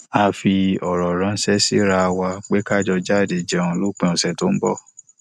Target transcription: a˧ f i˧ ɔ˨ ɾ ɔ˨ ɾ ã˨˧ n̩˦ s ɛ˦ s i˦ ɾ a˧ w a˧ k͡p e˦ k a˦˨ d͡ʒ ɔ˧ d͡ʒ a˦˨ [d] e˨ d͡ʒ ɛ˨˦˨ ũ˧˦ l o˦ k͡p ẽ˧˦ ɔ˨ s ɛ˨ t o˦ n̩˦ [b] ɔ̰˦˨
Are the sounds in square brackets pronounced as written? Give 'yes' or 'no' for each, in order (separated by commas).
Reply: yes, yes